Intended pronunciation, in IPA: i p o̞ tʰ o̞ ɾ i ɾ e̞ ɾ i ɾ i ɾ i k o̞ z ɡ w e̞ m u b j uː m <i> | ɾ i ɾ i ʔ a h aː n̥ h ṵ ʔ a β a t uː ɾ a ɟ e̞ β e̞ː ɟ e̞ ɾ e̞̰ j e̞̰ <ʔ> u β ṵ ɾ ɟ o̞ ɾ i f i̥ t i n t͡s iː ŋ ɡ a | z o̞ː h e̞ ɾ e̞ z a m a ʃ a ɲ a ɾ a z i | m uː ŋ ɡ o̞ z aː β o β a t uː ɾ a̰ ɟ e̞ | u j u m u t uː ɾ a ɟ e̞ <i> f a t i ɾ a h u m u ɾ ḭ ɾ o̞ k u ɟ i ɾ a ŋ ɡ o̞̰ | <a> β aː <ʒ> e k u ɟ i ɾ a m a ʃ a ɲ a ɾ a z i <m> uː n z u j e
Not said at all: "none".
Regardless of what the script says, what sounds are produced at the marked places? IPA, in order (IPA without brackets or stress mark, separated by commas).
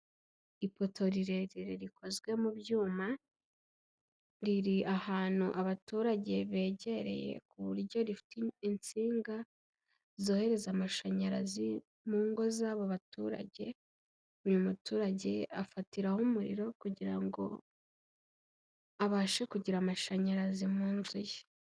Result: a, k, a, a, ʃ, m